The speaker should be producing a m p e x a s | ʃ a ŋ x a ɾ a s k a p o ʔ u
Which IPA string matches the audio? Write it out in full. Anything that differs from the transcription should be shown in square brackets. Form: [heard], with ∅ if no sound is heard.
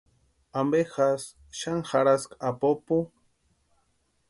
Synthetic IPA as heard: a m [b] e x a s | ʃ a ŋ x a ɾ a s k a p o [p] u